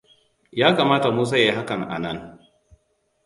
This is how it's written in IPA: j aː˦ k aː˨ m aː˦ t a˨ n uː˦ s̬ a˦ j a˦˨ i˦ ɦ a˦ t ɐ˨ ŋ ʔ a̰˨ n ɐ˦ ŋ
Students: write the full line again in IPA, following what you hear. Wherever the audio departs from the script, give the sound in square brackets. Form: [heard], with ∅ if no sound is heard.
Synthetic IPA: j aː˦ k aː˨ m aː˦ t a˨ [m] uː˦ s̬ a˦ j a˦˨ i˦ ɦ a˦ [k] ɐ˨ ŋ ʔ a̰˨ n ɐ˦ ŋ